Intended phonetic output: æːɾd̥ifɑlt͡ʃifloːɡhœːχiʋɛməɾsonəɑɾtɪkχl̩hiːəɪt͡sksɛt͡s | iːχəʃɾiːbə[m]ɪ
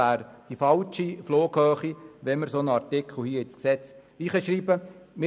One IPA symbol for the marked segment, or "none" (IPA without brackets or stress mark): m